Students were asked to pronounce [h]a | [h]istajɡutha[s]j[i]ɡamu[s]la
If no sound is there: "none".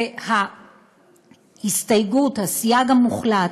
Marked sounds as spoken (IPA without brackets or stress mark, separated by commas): h, h, s, a, χ